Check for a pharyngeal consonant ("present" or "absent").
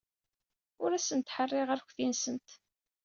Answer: present